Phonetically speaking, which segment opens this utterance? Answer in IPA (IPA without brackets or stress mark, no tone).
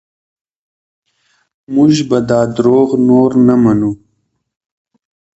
m